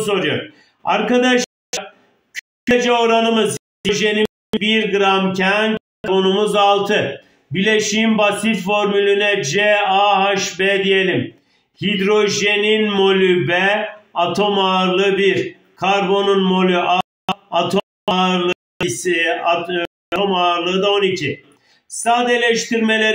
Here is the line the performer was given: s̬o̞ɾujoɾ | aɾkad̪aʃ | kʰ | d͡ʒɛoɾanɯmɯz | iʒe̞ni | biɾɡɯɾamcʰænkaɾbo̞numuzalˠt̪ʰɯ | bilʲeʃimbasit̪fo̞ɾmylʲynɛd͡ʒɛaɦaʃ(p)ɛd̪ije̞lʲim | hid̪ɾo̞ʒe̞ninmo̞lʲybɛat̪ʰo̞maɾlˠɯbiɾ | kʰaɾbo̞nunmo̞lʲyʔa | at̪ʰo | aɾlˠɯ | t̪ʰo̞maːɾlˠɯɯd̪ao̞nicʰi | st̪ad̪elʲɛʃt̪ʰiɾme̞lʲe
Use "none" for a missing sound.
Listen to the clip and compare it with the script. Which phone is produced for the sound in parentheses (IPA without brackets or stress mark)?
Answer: b